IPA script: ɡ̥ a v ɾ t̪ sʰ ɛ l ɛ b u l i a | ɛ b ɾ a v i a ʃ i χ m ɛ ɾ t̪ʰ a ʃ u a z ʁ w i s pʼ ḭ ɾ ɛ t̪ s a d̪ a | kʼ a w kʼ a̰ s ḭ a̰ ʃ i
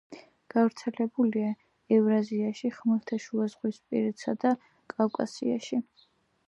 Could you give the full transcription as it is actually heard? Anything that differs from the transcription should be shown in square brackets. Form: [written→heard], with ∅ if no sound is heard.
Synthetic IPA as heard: ɡ̥ a v ɾ t̪ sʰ ɛ l ɛ b u l i a | ɛ [b→v] ɾ a [v→z] i a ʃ i χ m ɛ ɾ t̪ʰ a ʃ u a z ʁ w i s pʼ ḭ ɾ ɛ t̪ s a d̪ a | kʼ a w kʼ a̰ s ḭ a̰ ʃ i